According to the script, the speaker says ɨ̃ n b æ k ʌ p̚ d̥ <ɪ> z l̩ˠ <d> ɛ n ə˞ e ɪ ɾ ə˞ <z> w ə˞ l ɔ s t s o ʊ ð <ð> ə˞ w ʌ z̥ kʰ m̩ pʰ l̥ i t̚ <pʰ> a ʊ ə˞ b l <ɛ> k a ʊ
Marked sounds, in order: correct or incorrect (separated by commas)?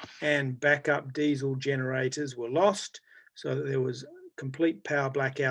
incorrect, incorrect, correct, correct, correct, incorrect